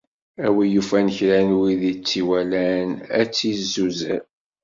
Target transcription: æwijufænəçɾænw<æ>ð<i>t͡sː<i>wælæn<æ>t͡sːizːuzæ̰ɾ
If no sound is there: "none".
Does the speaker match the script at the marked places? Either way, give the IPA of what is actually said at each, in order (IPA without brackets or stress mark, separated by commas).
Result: i, i, i, æ